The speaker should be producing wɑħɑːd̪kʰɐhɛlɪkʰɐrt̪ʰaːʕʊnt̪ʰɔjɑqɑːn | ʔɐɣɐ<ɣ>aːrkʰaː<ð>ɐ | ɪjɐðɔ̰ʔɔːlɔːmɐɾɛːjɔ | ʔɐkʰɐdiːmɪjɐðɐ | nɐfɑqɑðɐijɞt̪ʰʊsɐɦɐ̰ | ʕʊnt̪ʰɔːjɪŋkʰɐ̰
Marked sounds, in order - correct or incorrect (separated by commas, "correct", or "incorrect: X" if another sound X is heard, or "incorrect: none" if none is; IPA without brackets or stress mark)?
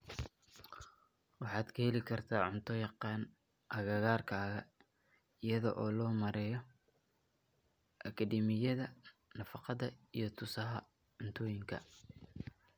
correct, incorrect: ɣ